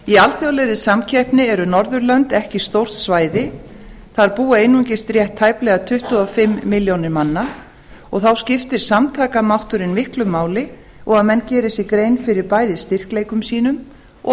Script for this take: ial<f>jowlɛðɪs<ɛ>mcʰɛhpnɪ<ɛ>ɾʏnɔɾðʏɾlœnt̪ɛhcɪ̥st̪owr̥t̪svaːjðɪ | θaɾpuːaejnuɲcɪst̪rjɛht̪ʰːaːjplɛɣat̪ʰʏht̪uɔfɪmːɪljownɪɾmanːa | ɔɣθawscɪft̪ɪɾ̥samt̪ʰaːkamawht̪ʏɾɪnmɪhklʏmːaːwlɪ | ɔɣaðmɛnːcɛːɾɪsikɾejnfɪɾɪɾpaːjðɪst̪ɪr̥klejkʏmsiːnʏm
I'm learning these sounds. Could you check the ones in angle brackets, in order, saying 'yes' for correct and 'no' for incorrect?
no, no, yes

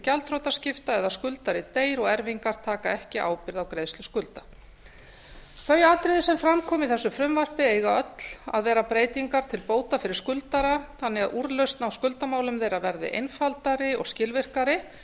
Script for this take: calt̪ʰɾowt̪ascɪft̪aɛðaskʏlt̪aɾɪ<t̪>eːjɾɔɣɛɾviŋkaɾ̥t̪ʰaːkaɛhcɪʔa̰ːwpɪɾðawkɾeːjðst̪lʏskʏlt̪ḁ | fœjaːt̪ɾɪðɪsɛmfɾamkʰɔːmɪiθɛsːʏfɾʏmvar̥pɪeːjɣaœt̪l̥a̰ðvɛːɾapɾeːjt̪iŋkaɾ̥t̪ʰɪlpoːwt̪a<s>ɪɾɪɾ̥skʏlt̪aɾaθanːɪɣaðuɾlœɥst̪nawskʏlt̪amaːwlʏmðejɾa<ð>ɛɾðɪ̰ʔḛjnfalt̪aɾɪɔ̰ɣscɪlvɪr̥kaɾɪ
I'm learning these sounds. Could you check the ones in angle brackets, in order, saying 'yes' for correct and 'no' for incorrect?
yes, no, no

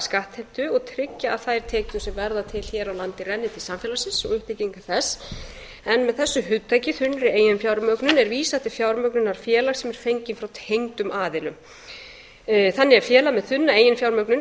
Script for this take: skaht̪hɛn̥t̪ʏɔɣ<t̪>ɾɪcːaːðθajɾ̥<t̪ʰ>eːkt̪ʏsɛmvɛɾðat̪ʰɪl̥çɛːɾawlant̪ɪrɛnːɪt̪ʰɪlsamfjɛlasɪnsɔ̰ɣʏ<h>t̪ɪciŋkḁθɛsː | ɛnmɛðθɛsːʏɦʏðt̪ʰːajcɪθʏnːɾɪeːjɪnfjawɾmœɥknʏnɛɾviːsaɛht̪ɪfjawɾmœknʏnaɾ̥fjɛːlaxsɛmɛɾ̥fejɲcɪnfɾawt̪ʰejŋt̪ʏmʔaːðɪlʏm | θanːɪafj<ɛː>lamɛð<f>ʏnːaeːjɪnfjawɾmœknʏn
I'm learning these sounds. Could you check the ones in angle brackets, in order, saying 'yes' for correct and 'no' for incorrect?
no, yes, yes, yes, no

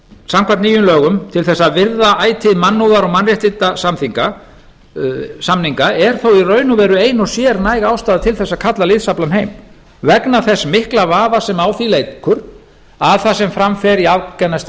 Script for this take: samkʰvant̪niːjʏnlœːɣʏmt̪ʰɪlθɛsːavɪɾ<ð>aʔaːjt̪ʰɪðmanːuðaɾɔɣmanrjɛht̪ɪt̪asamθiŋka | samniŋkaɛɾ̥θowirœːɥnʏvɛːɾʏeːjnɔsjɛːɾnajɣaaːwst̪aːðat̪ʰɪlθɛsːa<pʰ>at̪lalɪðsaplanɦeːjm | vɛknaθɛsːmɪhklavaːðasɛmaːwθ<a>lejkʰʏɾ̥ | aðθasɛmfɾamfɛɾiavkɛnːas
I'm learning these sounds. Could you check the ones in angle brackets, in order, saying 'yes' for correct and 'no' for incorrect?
yes, no, no

